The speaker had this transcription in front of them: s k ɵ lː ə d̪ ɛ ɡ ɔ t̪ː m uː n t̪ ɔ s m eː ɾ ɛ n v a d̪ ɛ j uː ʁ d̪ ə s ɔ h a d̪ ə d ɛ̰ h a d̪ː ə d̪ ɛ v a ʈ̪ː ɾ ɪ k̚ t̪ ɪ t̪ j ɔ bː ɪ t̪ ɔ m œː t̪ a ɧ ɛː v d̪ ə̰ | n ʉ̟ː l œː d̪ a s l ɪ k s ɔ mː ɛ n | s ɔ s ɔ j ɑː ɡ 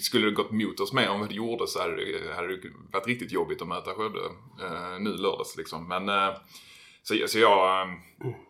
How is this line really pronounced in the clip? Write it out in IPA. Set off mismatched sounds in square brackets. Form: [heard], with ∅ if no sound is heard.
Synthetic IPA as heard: s k ɵ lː ə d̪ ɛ ɡ ɔ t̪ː m uː [∅] t̪ ɔ s m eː ɾ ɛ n v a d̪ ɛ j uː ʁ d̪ ə s ɔ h a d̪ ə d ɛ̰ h a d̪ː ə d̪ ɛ v a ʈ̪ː ɾ ɪ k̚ t̪ ɪ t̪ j ɔ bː ɪ t̪ ɔ m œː t̪ a ɧ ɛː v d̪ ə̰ | n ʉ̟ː l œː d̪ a s l ɪ k s ɔ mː ɛ n | s ɔ s ɔ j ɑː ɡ